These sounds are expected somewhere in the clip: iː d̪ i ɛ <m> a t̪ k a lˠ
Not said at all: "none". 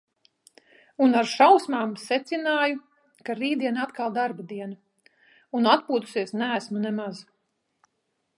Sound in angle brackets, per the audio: n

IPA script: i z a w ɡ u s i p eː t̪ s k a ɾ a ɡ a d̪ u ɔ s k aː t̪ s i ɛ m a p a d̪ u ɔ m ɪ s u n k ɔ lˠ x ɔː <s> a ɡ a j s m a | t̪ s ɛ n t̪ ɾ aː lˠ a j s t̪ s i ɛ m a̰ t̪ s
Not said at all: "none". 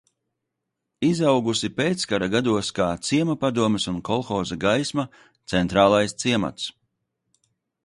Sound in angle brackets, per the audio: z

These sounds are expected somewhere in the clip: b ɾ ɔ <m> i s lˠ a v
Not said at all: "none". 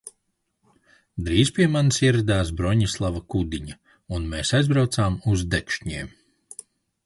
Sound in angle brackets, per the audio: ɲ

